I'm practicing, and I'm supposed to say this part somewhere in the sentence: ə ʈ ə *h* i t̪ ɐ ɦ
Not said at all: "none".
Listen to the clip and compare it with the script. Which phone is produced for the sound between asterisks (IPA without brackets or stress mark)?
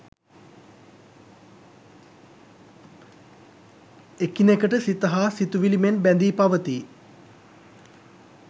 s